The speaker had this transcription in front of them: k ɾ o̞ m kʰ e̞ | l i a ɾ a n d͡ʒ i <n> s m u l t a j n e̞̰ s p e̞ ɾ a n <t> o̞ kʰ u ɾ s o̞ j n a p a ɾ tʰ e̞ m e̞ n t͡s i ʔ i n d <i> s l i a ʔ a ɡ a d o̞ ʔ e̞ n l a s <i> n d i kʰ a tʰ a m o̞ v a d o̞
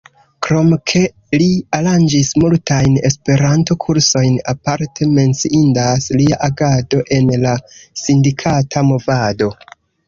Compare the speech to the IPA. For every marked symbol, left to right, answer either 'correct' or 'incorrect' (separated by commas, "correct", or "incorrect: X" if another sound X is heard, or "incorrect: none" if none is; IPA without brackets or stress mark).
incorrect: none, correct, incorrect: a, correct